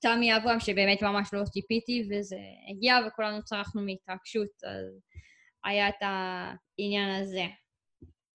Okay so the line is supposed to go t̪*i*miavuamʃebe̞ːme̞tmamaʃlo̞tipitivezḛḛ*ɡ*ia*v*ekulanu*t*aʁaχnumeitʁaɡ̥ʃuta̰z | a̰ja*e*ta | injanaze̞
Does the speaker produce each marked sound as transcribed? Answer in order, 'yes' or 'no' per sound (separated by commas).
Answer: no, yes, yes, no, yes